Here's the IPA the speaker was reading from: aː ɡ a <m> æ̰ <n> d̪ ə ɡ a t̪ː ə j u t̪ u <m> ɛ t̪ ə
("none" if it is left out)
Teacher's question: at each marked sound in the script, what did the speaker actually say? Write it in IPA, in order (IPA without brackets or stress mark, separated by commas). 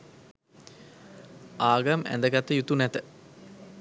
m, n, n